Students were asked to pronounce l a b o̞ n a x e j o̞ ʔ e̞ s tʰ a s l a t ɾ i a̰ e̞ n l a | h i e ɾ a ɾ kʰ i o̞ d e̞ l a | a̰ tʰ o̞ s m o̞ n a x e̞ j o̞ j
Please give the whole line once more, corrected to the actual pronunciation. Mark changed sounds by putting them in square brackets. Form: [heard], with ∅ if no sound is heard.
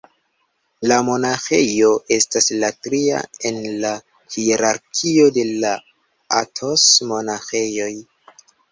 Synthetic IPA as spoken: l a [m] o̞ n a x e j o̞ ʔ e̞ s [t] a s l a t ɾ i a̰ e̞ n l a | h i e ɾ a ɾ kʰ i o̞ d e̞ l a | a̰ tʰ o̞ s m o̞ n a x e̞ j o̞ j